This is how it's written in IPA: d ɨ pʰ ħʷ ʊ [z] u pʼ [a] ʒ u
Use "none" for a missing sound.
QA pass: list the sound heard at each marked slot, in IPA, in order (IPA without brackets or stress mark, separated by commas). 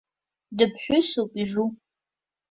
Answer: s, i